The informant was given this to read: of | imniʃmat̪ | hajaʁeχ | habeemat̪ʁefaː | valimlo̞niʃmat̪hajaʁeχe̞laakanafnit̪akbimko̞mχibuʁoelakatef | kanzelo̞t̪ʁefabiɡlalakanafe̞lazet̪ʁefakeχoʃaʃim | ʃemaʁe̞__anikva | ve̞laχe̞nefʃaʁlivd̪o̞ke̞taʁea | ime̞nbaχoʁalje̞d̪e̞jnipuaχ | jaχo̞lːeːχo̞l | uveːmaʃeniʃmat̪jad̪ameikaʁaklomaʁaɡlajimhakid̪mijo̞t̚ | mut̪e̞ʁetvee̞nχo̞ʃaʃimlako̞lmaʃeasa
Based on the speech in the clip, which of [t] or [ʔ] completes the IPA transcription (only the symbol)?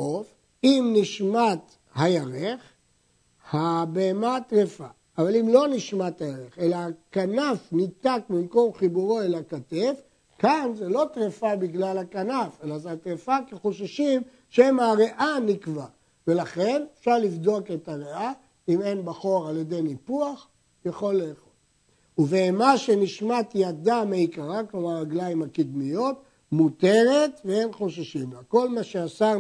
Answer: ʔ